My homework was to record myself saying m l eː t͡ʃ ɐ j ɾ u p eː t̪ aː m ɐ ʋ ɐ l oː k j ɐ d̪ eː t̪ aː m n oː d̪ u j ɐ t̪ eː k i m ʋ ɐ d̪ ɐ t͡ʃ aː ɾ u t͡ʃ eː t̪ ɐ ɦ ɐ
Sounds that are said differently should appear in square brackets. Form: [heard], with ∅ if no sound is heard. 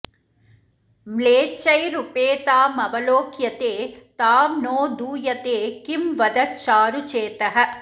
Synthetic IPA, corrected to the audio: m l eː t͡ʃ ɐ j ɾ u p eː t̪ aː m ɐ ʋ ɐ l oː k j ɐ [t̪] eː t̪ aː m n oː d̪ [uː] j ɐ t̪ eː k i m ʋ ɐ d̪ ɐ t͡ʃ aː ɾ u t͡ʃ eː t̪ ɐ ɦ ɐ